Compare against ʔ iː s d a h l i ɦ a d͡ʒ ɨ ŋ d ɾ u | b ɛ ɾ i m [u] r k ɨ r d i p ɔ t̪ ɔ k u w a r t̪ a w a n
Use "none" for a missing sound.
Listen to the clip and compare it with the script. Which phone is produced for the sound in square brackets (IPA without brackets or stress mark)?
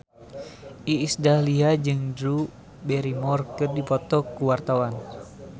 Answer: ɔ